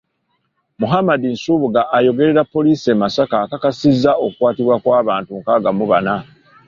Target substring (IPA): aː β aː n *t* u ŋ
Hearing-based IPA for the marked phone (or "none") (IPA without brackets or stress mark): t